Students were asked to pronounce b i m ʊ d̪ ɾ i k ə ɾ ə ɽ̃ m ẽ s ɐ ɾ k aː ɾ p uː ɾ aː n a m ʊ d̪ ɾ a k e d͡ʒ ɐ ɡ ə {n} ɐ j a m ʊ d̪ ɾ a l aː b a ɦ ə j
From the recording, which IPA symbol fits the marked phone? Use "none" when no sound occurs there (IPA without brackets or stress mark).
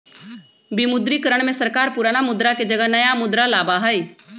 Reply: n